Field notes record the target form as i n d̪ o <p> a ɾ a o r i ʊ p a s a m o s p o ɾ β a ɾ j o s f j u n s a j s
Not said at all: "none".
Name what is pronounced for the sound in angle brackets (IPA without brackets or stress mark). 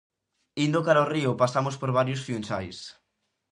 k